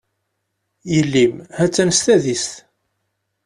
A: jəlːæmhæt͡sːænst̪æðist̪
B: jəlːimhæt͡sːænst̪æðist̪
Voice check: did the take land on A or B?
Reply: B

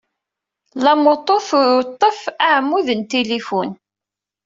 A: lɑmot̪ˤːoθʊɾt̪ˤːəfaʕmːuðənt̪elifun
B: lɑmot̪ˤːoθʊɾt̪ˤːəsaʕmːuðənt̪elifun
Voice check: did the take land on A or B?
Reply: A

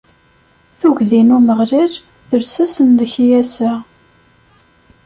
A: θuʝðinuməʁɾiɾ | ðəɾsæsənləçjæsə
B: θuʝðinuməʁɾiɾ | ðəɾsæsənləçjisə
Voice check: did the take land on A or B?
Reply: A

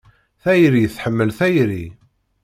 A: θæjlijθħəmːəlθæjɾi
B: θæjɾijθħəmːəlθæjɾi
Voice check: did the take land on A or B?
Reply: B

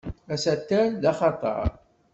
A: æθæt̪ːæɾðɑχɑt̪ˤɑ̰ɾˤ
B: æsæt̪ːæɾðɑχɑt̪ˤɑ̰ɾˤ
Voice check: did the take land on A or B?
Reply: B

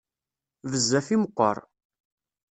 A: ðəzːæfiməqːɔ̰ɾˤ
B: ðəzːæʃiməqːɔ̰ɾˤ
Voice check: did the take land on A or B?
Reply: A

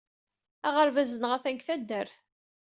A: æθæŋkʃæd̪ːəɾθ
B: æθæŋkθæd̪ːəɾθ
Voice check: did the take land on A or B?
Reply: B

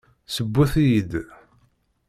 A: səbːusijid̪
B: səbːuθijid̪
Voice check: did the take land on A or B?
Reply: B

